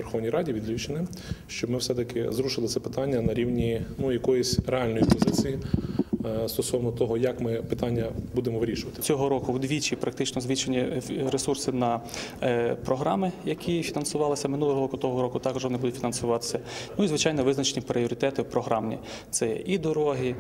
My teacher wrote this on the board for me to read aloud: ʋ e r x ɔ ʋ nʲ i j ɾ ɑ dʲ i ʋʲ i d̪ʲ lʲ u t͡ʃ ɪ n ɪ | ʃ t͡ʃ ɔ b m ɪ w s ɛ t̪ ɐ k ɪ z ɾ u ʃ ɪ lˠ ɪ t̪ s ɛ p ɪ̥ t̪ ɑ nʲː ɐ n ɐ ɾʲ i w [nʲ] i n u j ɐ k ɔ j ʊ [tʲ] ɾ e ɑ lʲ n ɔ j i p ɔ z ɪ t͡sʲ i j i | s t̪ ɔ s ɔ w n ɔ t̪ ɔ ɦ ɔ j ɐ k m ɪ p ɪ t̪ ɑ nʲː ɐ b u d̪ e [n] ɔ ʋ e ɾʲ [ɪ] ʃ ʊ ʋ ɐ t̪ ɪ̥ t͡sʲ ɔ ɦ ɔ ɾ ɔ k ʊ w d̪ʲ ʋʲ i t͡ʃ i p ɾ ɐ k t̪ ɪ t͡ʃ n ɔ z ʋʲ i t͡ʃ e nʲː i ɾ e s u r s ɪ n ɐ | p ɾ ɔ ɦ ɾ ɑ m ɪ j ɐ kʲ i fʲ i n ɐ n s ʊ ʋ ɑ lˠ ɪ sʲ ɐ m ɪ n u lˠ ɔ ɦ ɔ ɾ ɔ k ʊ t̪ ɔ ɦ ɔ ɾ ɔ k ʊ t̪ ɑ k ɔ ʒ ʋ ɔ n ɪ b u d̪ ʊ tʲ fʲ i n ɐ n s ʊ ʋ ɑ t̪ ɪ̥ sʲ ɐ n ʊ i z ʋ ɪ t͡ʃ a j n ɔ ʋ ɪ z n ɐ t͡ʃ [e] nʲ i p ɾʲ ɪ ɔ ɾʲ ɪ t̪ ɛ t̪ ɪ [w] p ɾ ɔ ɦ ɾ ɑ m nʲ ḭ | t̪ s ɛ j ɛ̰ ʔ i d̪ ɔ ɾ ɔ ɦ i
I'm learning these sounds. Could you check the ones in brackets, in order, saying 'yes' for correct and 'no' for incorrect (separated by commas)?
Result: yes, no, no, no, yes, yes